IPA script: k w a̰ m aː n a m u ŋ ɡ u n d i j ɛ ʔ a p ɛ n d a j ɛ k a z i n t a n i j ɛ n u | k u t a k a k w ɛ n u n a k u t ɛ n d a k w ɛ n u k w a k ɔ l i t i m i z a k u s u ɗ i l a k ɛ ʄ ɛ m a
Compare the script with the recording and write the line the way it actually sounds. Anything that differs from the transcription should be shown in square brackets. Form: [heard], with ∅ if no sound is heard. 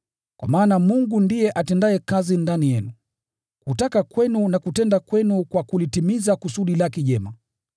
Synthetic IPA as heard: k w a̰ m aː n a m u ŋ ɡ u n d i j ɛ ʔ a [t] ɛ n d a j ɛ k a z i n [d] a n i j ɛ n u | k u t a k a k w ɛ n u n a k u t ɛ n d a k w ɛ n u k w a k [u] l i t i m i z a k u s u ɗ i l a k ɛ ʄ ɛ m a